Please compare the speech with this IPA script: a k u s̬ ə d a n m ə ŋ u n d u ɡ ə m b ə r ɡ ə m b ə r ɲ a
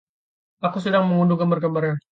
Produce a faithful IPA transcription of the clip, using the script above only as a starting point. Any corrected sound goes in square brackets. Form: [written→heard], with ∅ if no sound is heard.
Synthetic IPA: a k u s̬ ə d a [n→ŋ] m ə ŋ u n d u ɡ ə m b ə r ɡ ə m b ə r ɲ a